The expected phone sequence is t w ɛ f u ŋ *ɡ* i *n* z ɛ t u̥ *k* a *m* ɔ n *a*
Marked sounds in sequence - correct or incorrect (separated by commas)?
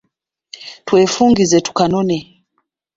correct, incorrect, correct, incorrect, incorrect